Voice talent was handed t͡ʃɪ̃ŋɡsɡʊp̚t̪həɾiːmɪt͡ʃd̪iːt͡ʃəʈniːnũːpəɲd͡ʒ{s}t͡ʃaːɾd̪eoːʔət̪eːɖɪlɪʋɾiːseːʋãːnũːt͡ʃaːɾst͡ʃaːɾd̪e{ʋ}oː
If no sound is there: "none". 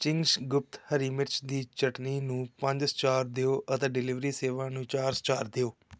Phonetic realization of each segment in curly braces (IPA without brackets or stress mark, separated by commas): s, none